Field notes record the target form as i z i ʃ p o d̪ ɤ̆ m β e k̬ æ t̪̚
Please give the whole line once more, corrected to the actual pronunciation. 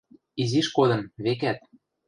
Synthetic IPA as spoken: i z i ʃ k o d̪ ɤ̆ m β e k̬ æ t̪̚

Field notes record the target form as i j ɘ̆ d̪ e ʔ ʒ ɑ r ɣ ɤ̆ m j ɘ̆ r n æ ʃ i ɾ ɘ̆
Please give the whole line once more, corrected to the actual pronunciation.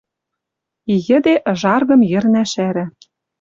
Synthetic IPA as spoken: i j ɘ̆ d̪ e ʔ ʒ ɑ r ɣ ɤ̆ m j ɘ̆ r n æ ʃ æ ɾ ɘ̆

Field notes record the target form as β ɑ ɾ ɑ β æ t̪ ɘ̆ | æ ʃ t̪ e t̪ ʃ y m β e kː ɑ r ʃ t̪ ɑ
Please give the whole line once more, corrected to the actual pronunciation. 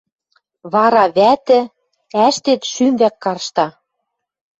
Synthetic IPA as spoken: β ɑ ɾ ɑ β æ t̪ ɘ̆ | æ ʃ t̪ e t̪ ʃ y m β æ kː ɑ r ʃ t̪ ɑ

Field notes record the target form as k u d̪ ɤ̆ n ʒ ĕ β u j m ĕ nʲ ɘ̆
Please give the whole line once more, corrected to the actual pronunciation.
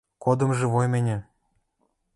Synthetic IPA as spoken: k o d̪ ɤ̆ m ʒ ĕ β o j m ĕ nʲ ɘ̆

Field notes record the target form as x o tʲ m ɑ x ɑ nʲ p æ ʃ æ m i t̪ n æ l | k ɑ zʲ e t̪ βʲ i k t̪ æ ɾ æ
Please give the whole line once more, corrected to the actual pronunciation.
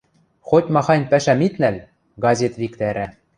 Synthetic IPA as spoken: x o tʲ m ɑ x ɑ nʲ p æ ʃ æ m i t̪ n æ l | ɡ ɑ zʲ e t̪ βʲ i k t̪ æ ɾ æ

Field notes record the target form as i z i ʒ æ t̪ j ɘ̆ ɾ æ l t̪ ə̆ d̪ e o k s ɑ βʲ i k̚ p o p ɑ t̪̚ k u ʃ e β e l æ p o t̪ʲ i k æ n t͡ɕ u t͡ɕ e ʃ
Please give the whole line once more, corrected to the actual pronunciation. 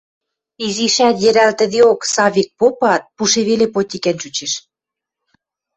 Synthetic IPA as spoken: i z i ʃ æ t̪ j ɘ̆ ɾ æ l t̪ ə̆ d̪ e o k s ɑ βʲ i k̚ p o p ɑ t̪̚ p u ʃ e β e l e p o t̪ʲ i k æ n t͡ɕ u t͡ɕ e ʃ

